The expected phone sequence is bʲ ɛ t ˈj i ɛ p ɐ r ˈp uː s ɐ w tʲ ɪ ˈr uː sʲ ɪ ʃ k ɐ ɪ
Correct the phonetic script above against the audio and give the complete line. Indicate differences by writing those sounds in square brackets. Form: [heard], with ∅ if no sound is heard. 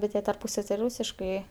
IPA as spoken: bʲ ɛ t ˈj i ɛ [t] ɐ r ˈp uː s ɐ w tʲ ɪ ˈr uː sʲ ɪ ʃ k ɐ ɪ